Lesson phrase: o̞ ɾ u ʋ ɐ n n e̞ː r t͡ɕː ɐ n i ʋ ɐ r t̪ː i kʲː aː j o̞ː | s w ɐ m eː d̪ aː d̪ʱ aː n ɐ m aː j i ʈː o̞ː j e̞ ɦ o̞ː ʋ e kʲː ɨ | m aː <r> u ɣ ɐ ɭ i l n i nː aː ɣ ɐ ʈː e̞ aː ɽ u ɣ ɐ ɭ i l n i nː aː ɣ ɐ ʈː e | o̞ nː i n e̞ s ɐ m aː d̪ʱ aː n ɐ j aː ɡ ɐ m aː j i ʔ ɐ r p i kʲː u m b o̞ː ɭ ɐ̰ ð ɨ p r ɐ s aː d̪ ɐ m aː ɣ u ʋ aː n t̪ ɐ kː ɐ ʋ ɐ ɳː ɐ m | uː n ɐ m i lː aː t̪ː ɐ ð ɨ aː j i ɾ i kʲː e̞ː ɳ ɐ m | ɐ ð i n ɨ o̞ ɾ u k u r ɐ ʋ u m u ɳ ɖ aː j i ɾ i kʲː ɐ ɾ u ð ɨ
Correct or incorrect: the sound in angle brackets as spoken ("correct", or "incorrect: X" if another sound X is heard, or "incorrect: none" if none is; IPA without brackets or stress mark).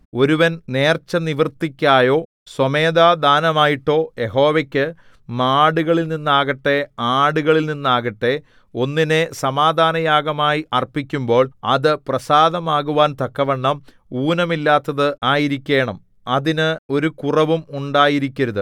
incorrect: ɽ